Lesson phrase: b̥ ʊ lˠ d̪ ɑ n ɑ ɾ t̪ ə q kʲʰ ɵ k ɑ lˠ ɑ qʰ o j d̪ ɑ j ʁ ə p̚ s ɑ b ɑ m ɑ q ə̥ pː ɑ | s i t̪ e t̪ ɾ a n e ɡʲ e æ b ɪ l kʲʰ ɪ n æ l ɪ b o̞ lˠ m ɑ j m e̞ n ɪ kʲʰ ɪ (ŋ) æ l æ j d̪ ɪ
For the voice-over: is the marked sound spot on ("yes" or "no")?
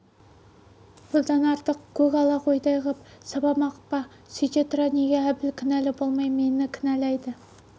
no